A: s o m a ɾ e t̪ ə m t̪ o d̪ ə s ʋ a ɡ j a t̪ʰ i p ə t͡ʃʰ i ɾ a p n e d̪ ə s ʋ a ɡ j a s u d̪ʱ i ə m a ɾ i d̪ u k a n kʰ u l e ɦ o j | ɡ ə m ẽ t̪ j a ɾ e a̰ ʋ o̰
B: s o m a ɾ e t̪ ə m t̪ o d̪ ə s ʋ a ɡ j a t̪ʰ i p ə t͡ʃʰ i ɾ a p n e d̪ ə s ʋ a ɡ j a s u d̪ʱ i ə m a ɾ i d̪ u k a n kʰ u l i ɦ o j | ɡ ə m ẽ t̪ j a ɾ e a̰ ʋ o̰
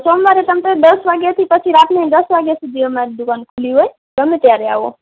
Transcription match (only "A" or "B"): B